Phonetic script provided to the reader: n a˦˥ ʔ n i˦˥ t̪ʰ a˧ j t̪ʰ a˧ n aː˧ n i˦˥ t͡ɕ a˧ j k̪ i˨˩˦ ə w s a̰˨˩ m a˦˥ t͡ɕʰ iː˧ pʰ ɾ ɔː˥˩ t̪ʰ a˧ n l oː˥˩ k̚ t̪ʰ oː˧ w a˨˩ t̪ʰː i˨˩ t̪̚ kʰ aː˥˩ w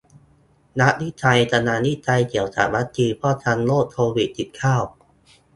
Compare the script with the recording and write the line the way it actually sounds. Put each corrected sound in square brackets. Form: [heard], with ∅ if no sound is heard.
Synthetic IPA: n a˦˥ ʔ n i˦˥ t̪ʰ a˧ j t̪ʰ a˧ n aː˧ n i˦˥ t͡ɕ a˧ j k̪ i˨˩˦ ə w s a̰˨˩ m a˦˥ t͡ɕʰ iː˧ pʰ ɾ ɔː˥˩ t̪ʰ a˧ n l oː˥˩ k̚ t̪ʰ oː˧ w [i˨˩] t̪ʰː i˨˩ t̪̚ kʰ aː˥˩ w

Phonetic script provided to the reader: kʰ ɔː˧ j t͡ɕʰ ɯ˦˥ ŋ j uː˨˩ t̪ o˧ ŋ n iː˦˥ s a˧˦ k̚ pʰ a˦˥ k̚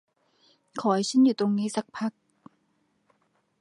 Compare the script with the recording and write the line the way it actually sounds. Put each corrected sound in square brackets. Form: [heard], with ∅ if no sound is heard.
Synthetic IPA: kʰ [ɔː˩˦] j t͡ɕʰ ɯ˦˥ [n] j uː˨˩ t̪ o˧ ŋ n iː˦˥ s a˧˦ k̚ pʰ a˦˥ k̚

